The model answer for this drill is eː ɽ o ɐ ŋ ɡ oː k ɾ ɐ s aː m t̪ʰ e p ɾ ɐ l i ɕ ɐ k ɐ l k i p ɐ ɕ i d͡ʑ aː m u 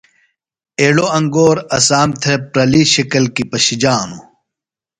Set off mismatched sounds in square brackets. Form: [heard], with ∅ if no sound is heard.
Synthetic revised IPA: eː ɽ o ɐ ŋ ɡ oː [∅] ɾ ɐ s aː m t̪ʰ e p ɾ ɐ l i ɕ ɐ k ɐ l k i p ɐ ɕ i d͡ʑ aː [n] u